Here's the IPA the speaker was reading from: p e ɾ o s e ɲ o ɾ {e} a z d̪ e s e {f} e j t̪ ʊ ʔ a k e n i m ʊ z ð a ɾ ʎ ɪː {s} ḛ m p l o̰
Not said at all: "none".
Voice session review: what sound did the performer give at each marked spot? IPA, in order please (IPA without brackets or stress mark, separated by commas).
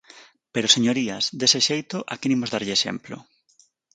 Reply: i, ʃ, ʃ